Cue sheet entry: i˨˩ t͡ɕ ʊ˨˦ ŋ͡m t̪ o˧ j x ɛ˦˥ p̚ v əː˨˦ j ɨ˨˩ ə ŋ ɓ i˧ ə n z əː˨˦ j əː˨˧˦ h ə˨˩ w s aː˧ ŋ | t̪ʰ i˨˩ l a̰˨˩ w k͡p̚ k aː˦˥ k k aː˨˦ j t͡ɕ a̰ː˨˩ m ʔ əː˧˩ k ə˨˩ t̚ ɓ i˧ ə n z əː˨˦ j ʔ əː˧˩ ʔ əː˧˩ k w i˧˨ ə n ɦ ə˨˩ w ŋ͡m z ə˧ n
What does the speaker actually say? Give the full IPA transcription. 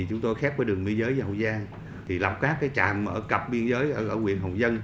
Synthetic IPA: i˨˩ t͡ɕ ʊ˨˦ ŋ͡m t̪ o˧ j x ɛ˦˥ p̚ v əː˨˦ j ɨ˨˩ ə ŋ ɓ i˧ ə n z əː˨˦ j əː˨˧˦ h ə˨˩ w z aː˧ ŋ | t̪ʰ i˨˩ l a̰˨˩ w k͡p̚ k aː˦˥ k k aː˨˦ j t͡ɕ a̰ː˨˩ m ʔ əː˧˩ k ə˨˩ p̚ ɓ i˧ ə n z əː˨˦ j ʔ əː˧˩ ʔ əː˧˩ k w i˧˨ ə n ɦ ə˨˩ w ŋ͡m z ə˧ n